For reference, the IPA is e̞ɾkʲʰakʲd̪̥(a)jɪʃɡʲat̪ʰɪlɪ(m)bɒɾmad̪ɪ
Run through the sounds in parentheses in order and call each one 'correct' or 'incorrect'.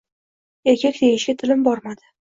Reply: incorrect: e, correct

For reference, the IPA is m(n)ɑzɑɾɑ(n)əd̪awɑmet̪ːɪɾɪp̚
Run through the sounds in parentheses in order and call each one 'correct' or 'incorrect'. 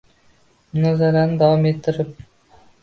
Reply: correct, correct

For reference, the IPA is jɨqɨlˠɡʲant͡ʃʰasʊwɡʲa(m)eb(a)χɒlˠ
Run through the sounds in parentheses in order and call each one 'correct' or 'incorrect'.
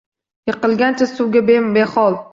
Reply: incorrect: b, incorrect: e

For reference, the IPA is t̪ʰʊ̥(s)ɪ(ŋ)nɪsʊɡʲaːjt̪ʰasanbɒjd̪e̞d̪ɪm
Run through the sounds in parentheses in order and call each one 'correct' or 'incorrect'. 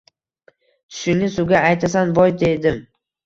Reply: incorrect: ʃ, correct

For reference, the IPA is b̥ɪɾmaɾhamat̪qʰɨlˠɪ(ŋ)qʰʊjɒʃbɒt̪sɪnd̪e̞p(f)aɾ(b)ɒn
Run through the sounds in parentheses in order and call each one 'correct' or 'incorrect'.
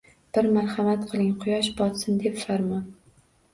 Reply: correct, correct, incorrect: m

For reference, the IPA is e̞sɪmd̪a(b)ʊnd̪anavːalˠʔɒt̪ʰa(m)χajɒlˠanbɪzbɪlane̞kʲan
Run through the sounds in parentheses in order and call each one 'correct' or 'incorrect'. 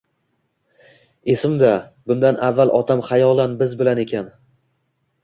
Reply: correct, correct

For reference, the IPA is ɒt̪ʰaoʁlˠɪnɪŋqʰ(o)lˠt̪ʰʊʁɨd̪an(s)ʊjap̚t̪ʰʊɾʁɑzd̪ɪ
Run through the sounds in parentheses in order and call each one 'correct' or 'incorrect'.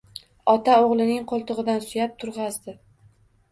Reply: correct, correct

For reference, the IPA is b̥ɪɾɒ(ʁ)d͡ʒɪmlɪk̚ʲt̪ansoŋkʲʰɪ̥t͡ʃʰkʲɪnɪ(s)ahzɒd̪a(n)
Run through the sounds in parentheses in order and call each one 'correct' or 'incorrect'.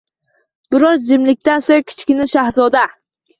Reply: incorrect: z, incorrect: ʃ, incorrect: none

